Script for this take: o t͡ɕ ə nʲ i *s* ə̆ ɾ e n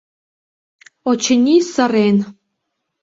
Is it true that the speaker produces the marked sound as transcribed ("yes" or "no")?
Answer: yes